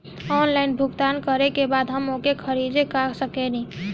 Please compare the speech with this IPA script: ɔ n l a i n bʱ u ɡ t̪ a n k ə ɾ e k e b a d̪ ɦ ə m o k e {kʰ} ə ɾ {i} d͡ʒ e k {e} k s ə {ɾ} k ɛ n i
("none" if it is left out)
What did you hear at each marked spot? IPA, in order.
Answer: kʰ, i, a, none

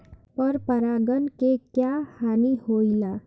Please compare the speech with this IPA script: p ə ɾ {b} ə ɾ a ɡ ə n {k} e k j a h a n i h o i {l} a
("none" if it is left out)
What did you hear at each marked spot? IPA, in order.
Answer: p, k, l

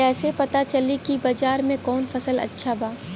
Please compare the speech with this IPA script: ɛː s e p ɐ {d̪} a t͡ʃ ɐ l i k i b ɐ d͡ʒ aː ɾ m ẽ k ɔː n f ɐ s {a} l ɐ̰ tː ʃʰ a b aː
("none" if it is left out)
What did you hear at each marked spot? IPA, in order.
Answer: t̪, ə

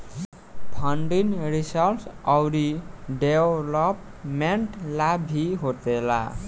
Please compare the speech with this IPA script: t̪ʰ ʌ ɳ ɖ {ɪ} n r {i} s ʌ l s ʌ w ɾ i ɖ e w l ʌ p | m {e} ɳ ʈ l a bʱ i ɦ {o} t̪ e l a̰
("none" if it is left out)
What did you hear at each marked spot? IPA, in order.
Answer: i, i, e, o

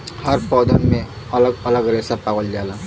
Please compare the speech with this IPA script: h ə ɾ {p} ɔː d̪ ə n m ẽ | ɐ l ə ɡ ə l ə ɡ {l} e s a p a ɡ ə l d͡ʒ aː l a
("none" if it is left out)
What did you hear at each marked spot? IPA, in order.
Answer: p, ɾ

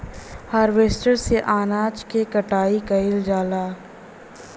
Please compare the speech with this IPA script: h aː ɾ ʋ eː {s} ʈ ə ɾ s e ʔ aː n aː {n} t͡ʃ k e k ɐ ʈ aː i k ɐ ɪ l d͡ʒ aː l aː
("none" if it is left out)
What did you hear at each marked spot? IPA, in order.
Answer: s, none

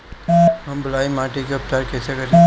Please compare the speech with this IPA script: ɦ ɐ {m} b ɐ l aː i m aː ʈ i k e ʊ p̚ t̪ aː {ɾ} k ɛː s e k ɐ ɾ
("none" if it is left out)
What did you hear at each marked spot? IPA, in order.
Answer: m, ɾ

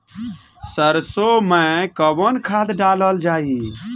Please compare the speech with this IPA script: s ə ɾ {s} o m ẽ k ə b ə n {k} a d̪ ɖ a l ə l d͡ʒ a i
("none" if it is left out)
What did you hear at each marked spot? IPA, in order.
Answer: s, kʰ

